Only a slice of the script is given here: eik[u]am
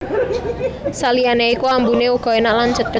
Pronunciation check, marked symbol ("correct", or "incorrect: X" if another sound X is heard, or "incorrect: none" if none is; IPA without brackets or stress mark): correct